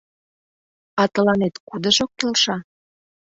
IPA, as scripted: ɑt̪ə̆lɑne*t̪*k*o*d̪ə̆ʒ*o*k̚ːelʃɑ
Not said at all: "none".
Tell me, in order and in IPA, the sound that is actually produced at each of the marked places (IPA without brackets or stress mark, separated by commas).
t̪, u, o